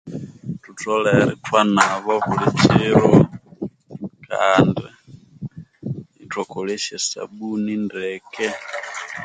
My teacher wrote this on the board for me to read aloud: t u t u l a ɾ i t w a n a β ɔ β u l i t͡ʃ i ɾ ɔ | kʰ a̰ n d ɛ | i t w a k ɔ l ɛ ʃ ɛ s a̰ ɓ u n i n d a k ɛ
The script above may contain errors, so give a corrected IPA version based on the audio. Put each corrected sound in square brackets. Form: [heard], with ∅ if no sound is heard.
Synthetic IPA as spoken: t u t [ɔ] l [ɛ] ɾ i t w a n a β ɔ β u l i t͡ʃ i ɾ ɔ | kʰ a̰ n d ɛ | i t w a k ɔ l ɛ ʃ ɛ s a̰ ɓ u n i n d [ɛ] k ɛ